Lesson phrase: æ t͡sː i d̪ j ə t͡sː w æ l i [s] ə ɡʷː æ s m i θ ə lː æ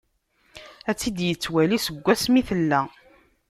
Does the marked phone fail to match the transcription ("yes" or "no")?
no